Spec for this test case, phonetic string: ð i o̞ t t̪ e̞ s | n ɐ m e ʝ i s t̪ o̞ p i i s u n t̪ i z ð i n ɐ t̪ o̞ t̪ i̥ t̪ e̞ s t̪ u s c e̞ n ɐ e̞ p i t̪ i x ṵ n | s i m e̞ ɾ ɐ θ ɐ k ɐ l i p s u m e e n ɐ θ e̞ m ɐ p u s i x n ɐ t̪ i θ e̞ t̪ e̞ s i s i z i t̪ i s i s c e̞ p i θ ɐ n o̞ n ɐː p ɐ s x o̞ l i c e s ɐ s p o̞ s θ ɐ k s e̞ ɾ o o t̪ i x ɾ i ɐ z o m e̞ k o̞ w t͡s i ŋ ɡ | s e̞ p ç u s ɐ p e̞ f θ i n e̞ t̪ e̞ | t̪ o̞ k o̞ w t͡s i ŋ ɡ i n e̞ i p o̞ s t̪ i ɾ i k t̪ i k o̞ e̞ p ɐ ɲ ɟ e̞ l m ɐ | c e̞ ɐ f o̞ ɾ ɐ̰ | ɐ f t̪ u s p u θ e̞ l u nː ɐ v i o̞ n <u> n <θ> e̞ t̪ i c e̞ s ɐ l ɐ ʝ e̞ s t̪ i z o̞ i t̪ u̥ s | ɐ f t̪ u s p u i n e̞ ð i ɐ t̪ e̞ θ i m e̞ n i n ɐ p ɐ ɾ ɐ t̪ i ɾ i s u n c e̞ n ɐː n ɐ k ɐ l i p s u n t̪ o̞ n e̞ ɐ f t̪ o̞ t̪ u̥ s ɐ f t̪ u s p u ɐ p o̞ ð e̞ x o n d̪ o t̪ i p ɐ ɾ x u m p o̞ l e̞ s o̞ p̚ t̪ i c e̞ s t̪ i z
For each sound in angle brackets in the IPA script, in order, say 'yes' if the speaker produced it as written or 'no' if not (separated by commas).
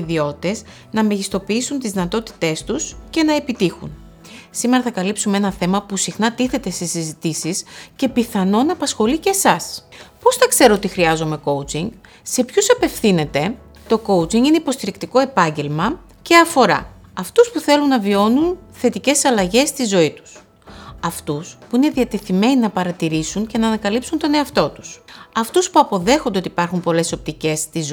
yes, yes